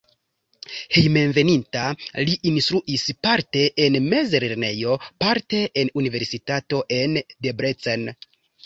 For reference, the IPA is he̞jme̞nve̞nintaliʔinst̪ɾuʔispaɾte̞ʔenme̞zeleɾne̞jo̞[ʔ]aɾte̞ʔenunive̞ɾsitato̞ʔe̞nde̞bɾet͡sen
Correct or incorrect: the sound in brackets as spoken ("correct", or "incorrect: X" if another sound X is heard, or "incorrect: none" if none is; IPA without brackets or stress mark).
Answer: incorrect: p